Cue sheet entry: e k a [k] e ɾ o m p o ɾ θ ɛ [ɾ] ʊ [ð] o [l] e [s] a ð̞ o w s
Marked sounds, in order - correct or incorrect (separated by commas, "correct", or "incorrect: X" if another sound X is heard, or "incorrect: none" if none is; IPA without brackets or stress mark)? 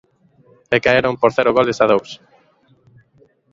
incorrect: none, correct, incorrect: ɣ, correct, correct